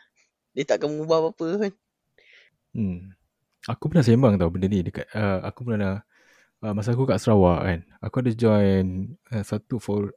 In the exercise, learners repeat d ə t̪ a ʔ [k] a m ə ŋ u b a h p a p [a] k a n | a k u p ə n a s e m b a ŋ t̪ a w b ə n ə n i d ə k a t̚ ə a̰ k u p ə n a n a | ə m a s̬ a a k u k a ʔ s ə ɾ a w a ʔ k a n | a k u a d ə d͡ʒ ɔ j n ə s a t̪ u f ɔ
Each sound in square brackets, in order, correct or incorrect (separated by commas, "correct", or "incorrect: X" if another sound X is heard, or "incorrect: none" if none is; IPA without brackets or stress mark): correct, incorrect: ə